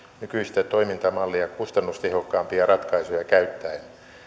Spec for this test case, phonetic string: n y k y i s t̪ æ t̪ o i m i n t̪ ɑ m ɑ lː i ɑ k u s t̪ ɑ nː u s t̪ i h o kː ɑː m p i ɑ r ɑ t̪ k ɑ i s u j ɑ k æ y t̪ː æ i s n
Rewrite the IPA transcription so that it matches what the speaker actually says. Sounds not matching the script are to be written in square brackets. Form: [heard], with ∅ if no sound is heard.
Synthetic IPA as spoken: n y k y i s t̪ æ t̪ o i m i n t̪ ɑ m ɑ lː i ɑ k u s t̪ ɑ nː u s t̪ [e] h o kː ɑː m p i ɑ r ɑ t̪ k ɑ i s u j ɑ k æ y t̪ː æ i [∅] n

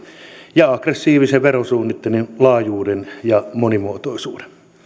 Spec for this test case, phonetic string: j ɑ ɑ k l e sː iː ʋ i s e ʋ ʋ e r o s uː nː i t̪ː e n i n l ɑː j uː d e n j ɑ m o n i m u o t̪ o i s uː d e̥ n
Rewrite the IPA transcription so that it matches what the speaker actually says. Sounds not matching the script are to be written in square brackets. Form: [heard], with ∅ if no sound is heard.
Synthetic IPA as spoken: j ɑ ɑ k [r] e sː iː ʋ i s e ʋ ʋ e r o s uː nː i t̪ː e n i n l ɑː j uː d e n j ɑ m o n i m u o t̪ o i s uː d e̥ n

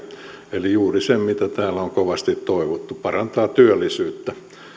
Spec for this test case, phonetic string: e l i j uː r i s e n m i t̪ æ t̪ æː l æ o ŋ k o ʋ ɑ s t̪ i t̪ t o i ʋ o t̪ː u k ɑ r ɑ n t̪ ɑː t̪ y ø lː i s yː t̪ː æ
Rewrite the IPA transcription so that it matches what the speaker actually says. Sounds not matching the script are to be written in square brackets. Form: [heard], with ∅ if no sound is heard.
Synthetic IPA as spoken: e l i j uː r i s e [m] m i t̪ æ t̪ æː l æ o ŋ k o ʋ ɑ s t̪ i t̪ t o i ʋ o t̪ː u [p] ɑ r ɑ n t̪ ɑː t̪ y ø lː i s yː t̪ː æ

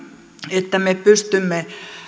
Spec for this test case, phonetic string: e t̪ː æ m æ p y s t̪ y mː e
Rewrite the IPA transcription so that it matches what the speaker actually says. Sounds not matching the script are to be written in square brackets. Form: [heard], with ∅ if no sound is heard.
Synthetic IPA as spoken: e t̪ː æ m [e] p y s t̪ y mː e

